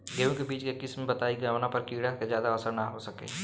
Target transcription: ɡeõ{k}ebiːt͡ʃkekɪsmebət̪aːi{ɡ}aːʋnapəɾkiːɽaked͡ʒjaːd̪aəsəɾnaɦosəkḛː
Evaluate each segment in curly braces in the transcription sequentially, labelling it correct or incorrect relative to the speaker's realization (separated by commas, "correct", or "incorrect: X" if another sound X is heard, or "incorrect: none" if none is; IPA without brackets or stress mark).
correct, correct